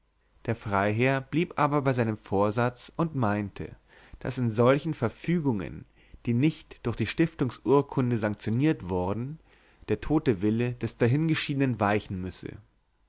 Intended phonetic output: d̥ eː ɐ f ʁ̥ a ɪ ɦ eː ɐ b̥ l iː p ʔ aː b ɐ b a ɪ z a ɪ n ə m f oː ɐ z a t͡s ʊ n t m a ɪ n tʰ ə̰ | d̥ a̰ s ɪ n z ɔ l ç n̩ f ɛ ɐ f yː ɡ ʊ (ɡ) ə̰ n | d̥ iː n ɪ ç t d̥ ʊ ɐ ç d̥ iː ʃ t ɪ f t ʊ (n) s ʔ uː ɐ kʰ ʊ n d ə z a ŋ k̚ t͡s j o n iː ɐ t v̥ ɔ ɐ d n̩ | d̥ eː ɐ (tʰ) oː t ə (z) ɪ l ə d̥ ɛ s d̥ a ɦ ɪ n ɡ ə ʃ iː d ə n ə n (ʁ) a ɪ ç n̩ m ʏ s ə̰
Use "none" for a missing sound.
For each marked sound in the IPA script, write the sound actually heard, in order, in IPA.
ŋ, ŋ, tʰ, v, v

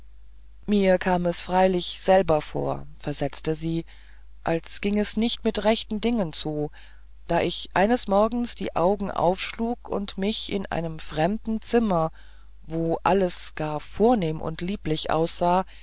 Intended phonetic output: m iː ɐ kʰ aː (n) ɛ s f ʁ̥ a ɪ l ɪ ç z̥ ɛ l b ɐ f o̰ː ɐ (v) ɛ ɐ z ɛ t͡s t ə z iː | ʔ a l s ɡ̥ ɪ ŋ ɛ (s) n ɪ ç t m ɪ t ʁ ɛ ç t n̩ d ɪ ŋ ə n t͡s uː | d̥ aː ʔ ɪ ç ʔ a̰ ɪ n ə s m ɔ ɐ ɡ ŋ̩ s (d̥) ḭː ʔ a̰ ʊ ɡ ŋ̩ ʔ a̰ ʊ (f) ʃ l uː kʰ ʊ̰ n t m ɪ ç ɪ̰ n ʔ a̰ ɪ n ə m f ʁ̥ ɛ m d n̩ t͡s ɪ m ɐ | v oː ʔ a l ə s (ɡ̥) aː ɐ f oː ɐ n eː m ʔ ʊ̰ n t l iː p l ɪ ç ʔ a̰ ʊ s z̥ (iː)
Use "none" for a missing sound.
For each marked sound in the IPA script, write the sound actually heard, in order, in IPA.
m, f, s, d̥, f, ɡ̥, aː

